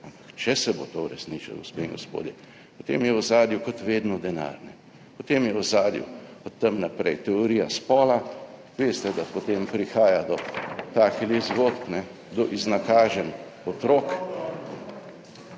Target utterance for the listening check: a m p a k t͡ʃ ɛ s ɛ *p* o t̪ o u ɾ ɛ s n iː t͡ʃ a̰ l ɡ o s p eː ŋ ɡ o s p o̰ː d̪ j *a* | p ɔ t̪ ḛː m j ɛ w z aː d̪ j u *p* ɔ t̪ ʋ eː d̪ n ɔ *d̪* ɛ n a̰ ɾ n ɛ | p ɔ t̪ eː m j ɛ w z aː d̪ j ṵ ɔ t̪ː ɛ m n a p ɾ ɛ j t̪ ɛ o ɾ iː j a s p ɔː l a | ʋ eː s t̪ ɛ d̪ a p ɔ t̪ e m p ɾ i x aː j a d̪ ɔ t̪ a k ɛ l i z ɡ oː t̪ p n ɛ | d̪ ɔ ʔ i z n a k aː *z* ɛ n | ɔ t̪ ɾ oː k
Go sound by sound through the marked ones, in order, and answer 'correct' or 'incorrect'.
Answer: incorrect: b, incorrect: ɛ, incorrect: k, correct, incorrect: ʒ

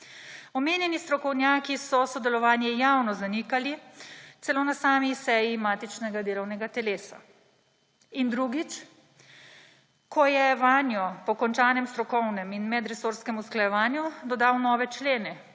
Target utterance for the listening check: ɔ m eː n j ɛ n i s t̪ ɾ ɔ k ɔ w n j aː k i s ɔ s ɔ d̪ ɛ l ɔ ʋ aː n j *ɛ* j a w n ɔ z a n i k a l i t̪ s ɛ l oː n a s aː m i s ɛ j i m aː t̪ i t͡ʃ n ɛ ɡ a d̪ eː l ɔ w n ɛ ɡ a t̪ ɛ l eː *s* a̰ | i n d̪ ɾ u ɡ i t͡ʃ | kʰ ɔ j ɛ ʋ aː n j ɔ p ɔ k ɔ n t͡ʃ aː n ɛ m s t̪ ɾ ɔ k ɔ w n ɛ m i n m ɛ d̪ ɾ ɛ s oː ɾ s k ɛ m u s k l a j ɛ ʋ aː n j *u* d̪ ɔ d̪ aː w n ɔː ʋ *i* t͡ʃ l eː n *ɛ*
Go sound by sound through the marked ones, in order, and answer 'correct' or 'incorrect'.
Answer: correct, correct, correct, incorrect: ɛ, correct

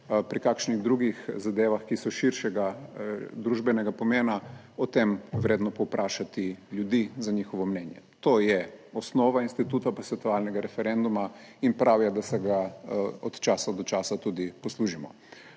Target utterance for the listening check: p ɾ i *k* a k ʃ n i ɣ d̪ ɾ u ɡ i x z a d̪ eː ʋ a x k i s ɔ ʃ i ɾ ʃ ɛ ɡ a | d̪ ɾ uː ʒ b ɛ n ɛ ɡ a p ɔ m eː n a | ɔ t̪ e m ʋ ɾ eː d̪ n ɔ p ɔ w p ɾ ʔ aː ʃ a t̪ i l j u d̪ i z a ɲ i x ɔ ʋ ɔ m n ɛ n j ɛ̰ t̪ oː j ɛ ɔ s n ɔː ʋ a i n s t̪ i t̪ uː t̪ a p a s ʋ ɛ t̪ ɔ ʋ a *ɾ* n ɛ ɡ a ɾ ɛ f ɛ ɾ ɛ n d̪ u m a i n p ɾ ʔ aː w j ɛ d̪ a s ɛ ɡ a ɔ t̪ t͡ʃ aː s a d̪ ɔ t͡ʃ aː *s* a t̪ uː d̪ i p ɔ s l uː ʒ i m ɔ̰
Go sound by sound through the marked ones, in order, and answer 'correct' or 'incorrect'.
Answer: correct, incorrect: l, correct

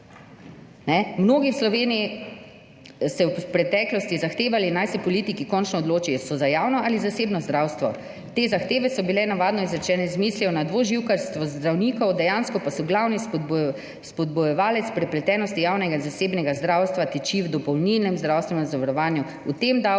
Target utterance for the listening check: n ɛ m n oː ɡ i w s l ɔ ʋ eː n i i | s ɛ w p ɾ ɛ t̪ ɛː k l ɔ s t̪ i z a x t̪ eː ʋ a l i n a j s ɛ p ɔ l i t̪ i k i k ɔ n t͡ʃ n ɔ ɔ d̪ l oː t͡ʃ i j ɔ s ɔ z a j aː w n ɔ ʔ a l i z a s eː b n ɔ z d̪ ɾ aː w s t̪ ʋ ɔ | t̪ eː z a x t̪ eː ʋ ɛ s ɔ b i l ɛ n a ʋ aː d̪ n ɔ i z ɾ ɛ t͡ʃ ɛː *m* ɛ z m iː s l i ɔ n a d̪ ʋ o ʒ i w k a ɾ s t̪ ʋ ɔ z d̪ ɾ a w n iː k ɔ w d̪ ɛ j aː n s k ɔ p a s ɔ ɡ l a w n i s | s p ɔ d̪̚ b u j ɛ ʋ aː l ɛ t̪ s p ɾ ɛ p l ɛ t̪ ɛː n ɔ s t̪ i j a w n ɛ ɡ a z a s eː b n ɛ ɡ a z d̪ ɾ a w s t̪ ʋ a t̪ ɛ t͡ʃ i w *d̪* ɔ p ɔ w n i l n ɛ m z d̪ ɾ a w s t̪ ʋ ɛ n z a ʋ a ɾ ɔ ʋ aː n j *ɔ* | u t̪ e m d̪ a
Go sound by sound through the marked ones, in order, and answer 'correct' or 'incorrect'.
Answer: incorrect: n, correct, incorrect: u

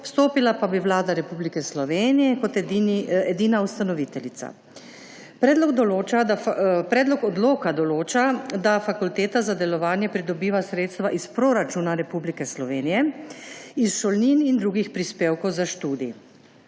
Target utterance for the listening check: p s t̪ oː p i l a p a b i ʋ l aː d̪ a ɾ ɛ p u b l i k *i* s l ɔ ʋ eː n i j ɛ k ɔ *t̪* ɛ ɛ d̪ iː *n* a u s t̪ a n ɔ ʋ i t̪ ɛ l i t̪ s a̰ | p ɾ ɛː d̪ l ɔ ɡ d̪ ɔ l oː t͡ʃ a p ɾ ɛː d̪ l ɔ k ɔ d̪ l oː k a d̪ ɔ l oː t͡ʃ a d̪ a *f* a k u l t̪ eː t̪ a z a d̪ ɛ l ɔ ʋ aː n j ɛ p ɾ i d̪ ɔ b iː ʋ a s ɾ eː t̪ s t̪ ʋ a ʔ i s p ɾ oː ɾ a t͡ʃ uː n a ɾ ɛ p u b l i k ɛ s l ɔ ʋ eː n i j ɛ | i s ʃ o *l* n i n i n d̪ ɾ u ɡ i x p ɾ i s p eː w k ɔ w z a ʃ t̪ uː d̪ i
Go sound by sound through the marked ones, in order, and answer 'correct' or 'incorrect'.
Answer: incorrect: ɛ, correct, correct, correct, correct

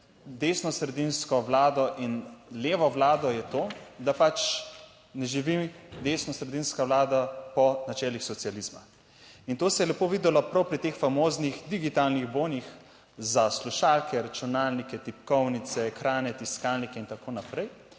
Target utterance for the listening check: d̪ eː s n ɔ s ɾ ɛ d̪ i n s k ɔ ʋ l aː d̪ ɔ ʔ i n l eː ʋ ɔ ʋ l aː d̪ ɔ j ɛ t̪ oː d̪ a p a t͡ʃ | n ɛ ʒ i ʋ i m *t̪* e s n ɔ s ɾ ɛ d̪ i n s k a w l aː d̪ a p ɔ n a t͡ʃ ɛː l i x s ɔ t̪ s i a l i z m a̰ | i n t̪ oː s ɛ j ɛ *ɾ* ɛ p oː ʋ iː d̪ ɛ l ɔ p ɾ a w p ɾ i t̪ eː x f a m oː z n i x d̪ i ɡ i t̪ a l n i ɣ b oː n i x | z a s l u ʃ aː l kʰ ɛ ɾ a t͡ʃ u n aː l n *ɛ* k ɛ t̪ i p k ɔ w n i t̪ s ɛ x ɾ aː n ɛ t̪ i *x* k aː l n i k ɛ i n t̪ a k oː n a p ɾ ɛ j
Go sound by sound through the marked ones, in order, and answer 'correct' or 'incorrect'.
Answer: incorrect: d̪, incorrect: l, incorrect: i, incorrect: s

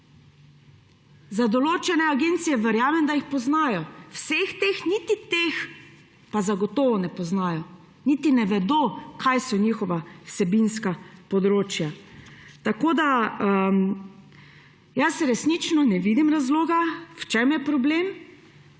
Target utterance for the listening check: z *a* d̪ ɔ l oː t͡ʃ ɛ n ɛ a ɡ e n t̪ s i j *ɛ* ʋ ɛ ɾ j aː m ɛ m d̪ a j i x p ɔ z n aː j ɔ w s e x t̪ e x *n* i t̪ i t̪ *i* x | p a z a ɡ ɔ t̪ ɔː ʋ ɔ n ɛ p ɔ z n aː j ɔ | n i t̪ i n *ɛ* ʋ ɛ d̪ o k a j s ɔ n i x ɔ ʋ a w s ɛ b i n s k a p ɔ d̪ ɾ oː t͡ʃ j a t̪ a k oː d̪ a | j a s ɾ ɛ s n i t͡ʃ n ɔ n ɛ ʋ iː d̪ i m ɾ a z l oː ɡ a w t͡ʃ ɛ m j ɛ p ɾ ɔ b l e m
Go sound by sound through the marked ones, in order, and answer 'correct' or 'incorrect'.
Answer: correct, correct, correct, incorrect: e, correct

